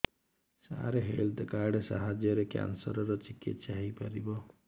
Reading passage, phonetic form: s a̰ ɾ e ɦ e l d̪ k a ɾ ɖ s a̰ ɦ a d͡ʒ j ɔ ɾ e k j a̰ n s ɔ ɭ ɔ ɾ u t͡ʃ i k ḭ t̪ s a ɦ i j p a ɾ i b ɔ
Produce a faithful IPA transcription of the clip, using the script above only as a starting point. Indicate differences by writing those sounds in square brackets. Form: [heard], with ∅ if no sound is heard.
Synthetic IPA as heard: s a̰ ɾ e ɦ e l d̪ k a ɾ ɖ s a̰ ɦ a d͡ʒ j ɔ ɾ e k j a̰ n s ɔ [ɾ] ɔ ɾ [ɔ] t͡ʃ i k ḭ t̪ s a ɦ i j p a ɾ i b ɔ